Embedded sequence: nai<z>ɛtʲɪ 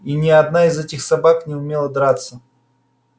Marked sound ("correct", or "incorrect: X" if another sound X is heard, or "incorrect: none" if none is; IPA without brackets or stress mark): correct